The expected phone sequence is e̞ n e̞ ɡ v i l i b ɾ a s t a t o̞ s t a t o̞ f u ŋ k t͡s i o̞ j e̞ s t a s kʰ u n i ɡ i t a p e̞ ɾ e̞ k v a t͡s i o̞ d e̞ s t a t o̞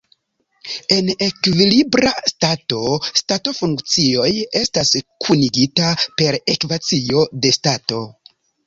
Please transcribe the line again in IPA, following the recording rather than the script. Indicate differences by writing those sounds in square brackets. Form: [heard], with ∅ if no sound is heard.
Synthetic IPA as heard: e̞ n e̞ [k] v i l i b ɾ a s t a t o̞ s t a t o̞ f u ŋ k t͡s i o̞ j e̞ s t a s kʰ u n i ɡ i t a p e̞ ɾ e̞ k v a t͡s i o̞ d e̞ s t a t o̞